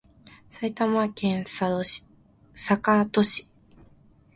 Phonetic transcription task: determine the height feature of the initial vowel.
low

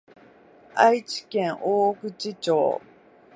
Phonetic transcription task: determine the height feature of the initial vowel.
low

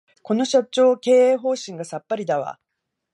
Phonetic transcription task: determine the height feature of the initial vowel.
mid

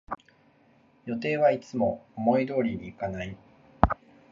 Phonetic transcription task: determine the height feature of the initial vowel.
mid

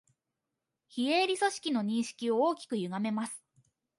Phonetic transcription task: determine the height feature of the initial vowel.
high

